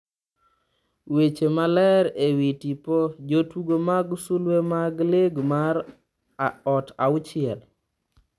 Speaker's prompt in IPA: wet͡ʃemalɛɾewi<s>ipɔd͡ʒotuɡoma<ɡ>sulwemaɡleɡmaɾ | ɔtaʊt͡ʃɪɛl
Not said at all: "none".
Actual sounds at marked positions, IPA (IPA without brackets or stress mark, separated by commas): t, ɡ